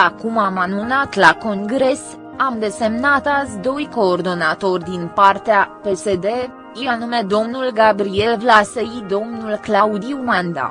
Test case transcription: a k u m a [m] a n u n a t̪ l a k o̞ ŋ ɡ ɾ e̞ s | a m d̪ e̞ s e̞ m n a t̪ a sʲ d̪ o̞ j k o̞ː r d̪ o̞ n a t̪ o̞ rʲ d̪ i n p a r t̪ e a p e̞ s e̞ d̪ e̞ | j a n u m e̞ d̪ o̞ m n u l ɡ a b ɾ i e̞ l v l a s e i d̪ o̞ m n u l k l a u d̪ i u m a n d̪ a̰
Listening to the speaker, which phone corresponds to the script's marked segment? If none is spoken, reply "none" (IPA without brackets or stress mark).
m